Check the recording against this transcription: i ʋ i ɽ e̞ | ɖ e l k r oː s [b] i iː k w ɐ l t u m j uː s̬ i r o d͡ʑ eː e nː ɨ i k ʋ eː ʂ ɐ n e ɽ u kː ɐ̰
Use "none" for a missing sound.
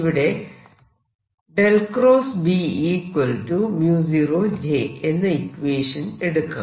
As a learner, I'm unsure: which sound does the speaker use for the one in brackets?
b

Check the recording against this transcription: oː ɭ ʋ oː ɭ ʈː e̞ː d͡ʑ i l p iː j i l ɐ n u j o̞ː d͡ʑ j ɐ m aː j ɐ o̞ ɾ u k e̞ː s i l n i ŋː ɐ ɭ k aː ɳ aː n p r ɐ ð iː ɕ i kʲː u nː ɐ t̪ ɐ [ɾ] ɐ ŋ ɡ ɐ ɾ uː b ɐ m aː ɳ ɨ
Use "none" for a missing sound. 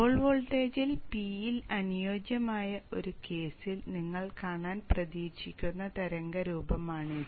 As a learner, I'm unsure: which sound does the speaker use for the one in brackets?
ɾ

